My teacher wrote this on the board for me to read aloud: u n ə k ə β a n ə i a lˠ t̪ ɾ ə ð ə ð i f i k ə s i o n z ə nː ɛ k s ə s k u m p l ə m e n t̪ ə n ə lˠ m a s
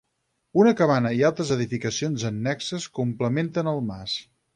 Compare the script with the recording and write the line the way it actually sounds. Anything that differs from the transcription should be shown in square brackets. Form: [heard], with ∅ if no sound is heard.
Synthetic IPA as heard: u n ə k ə β a n ə i a lˠ t̪ ɾ ə [z] ə ð i f i k ə s i o n z ə nː ɛ k s ə s k u m p l ə m e n t̪ ə n ə lˠ m a s